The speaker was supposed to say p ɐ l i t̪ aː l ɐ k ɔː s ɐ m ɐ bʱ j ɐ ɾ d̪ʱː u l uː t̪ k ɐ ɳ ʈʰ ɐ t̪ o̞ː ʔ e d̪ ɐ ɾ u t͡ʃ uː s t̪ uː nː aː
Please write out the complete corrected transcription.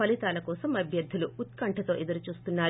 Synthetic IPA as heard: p ɐ l i t̪ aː l ɐ k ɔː s ɐ m ɐ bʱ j ɐ ɾ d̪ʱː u l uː t̪ k ɐ ɳ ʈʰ ɐ t̪ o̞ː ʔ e d̪ ɐ ɾ u t͡ʃ uː s t̪ u nː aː